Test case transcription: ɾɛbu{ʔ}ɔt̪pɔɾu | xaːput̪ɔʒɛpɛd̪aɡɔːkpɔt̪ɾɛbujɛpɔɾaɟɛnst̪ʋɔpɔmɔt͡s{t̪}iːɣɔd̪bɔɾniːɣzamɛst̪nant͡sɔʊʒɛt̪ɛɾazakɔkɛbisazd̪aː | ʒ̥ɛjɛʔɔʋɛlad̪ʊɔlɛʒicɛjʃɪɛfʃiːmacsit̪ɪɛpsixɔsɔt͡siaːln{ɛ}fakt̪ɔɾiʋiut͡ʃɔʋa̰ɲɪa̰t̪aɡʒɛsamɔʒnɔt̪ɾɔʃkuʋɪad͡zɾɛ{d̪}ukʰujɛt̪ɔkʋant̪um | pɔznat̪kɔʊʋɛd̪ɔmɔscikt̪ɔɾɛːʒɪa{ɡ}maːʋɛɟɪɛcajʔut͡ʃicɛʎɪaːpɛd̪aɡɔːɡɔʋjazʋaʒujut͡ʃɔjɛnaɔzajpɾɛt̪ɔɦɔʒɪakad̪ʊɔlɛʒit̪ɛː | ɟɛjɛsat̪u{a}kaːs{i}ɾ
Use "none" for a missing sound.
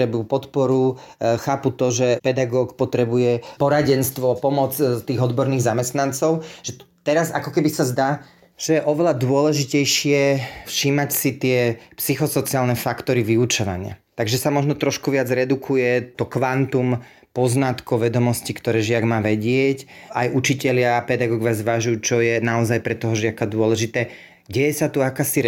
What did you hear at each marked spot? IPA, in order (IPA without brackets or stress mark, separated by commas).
p, t̪, ɛ, d̪, ɡ, a, i